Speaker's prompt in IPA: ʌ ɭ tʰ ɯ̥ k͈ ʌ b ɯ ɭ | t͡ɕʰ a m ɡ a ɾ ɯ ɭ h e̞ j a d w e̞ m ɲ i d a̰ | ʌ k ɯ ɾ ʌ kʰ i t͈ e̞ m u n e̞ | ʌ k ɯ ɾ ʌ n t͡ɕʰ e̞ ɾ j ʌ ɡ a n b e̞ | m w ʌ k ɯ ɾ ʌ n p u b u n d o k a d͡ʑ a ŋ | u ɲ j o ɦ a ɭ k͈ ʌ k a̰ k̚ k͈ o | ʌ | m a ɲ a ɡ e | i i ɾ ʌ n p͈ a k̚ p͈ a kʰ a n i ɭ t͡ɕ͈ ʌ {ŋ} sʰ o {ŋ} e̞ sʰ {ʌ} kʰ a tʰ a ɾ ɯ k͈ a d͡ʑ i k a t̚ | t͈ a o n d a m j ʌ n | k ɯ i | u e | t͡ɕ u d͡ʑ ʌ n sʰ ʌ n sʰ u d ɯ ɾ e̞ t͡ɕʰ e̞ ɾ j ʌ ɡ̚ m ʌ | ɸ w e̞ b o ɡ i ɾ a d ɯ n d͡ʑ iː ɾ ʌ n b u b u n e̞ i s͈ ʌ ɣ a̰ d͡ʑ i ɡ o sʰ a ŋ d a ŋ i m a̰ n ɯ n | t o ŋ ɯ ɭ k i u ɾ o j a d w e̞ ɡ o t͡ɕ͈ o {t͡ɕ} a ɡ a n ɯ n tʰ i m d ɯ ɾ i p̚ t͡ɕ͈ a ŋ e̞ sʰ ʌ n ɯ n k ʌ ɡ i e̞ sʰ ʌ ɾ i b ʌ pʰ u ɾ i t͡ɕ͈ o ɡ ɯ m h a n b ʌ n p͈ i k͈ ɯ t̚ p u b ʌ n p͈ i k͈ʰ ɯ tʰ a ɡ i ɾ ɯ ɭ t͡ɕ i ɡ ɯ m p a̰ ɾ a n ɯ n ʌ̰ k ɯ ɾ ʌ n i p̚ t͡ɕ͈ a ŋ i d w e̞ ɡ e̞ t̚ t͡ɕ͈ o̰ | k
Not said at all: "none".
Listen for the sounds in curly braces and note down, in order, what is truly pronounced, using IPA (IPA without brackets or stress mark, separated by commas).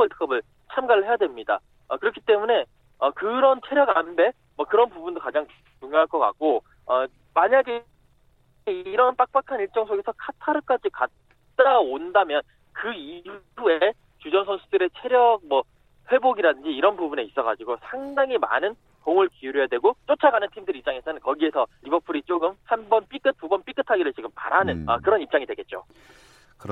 ŋ, ɡ, ʌ, t͡ɕʰ